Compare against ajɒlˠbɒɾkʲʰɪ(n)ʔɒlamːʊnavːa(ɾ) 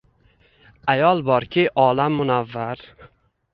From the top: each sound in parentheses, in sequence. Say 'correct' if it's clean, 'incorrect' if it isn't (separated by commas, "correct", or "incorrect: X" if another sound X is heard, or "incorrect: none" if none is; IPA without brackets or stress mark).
incorrect: none, correct